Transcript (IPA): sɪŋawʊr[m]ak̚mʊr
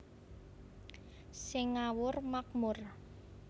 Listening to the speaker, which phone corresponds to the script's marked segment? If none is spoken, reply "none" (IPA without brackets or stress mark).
m